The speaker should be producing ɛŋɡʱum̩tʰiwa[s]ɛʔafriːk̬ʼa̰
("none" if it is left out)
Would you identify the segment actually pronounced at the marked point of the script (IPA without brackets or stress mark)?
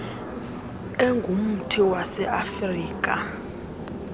s